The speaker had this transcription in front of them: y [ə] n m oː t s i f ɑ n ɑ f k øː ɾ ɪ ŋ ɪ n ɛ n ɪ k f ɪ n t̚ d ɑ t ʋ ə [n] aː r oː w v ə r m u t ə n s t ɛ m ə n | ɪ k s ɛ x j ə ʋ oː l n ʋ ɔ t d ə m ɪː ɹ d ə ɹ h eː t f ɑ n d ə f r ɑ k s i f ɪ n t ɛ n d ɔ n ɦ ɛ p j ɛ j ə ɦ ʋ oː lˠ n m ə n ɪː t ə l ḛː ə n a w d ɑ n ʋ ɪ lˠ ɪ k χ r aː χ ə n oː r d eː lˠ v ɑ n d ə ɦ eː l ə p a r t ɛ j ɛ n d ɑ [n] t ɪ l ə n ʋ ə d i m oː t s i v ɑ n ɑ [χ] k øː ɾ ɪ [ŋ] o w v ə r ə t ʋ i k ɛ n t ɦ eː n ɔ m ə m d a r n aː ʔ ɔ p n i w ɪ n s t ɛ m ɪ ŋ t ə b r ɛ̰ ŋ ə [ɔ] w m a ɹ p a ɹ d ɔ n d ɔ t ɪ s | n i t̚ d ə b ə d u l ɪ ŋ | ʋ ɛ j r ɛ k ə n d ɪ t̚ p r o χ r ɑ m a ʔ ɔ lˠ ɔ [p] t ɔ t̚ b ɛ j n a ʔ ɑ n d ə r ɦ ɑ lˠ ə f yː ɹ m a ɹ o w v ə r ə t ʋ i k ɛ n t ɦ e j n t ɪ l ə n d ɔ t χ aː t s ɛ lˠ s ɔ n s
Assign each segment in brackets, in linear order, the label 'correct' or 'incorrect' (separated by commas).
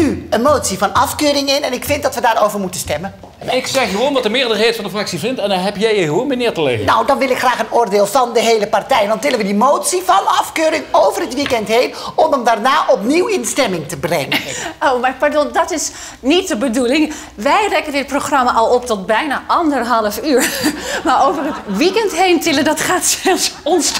correct, incorrect, correct, incorrect, correct, incorrect, correct